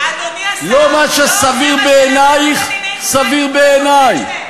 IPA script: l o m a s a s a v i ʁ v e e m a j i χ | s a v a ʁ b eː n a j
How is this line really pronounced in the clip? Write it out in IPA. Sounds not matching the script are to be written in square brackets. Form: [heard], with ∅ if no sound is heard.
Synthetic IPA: l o m a [ʃ] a s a v i ʁ [b] e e [n] a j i χ | s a v [i] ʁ b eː n a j